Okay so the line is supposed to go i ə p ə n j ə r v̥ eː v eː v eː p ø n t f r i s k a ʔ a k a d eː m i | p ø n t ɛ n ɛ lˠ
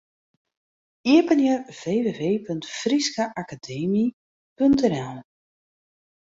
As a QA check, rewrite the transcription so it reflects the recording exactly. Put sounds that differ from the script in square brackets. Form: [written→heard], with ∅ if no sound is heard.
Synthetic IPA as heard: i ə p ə n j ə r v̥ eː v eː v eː p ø n t f r i s k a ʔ a k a d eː m i | p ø n t ɛ n ɛ lˠ

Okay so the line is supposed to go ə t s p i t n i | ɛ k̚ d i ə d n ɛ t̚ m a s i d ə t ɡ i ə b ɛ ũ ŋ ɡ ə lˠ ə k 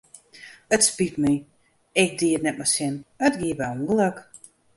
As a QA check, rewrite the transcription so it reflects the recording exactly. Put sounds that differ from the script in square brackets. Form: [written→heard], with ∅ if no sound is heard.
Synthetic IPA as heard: ə t s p i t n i | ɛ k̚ d i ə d n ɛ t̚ m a s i [d→n] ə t ɡ i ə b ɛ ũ ŋ ɡ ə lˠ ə k

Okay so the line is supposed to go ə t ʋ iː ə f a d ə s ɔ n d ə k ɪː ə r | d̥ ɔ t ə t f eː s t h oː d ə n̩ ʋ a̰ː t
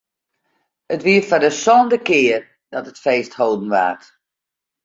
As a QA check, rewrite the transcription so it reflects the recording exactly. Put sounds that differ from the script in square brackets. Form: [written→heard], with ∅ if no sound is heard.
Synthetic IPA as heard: ə t ʋ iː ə f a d ə s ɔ n d ə k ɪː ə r | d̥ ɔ t ə t f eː s t h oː d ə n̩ ʋ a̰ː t

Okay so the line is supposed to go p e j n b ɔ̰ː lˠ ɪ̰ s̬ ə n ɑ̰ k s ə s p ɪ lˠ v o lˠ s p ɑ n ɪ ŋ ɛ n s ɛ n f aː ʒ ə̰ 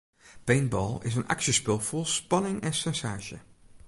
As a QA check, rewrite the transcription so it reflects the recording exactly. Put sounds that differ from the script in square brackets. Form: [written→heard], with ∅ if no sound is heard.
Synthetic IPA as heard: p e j n b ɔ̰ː lˠ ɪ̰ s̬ ə n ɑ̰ k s ə s p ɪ lˠ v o lˠ s p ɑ n ɪ ŋ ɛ n s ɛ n [f→s] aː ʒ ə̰

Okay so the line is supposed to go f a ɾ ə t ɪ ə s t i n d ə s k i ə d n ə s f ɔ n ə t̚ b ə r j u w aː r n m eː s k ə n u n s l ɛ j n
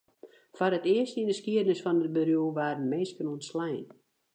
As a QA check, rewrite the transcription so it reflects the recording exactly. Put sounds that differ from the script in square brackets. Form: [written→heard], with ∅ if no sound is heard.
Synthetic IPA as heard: f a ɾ ə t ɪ ə s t i n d ə s k i ə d n ə s f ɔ n ə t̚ b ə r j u [w→ʋ] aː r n m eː s k ə n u n s l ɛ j n

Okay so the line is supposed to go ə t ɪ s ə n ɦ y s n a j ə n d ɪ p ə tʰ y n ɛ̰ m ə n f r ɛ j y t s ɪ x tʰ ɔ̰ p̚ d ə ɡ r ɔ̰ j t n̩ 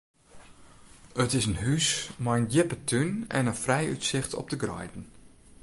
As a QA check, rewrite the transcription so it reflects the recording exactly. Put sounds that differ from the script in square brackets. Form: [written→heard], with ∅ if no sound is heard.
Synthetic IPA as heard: ə t ɪ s ə n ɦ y s [n→m] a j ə n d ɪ p ə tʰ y n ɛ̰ [m→n] ə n f r ɛ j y t s ɪ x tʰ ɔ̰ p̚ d ə ɡ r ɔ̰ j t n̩

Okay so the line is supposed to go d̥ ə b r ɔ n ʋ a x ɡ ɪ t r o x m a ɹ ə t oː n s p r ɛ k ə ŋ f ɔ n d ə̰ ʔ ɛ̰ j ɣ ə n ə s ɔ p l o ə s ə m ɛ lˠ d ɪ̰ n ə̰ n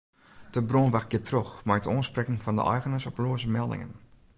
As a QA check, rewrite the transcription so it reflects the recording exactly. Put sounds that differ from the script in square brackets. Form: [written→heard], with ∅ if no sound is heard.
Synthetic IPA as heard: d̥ ə b r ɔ n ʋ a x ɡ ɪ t r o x m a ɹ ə t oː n s p r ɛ k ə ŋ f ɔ n d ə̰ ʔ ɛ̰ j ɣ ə n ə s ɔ p l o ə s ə m ɛ lˠ d ɪ̰ [n→ŋ] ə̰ n

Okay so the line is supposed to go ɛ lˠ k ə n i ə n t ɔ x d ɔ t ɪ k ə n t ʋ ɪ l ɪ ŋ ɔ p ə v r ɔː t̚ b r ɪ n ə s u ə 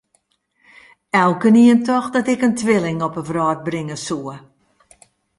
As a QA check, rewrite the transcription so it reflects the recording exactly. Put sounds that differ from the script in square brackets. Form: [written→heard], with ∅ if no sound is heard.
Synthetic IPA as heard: ɛ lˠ k ə n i ə n t ɔ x d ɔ t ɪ k ə n t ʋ ɪ l ɪ ŋ ɔ p ə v r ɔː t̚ b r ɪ [n→ŋ] ə s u ə

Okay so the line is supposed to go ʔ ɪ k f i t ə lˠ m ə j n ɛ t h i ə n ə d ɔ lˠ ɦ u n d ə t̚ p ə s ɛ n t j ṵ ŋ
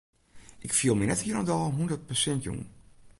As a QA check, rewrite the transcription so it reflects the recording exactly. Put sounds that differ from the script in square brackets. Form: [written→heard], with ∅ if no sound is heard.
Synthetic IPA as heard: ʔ ɪ k f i [t→∅] ə lˠ m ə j n ɛ t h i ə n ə d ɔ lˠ ɦ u n d ə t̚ p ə s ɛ n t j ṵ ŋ

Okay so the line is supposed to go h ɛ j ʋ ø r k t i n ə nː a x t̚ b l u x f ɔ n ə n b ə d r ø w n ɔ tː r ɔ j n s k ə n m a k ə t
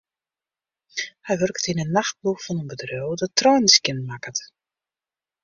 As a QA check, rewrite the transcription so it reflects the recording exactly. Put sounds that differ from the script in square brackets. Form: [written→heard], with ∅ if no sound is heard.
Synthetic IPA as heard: h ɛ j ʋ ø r k t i n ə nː a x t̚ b l u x f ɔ n ə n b ə d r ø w [n→d] ɔ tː r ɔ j n s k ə n m a k ə t

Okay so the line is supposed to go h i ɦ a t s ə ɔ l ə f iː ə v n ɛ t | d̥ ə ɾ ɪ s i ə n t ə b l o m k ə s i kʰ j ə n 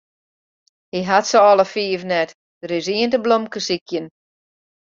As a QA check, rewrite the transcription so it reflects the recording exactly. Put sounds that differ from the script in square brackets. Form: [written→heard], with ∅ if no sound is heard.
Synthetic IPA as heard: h i ɦ a t s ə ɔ l ə f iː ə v n ɛ t | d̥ ə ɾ ɪ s i ə n t ə b l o m k ə s i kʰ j ə n

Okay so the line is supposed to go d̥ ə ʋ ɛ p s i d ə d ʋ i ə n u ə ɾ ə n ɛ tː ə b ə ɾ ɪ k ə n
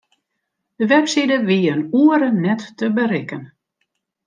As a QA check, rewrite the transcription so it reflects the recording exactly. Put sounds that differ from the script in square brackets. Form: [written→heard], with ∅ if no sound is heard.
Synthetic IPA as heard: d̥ ə ʋ ɛ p s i d ə [d→∅] ʋ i ə n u ə ɾ ə n ɛ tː ə b ə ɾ ɪ k ə n

